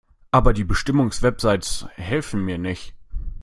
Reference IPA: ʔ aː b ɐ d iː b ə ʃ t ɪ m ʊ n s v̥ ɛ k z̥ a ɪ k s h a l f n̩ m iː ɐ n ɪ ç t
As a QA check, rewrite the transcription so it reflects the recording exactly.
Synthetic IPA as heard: ʔ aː b ɐ d iː b ə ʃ t ɪ m ʊ ŋ s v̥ ɛ p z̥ a ɪ t s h ɛ l f n̩ m iː ɐ n ɪ ç t